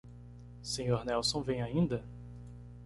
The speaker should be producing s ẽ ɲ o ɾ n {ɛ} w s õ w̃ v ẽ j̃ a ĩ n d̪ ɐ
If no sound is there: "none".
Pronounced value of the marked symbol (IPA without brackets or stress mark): ɛ